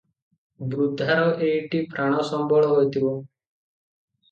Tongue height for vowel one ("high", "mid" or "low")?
high